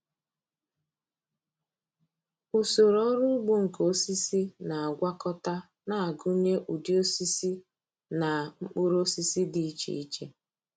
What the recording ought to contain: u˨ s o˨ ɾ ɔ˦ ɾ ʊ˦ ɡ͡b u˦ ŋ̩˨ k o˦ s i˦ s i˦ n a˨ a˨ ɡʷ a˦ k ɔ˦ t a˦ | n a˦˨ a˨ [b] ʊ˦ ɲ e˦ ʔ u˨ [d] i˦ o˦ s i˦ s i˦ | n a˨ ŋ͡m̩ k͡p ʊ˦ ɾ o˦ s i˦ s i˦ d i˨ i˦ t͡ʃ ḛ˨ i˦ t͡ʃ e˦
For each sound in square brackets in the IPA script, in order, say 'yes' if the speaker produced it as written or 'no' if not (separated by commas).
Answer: no, yes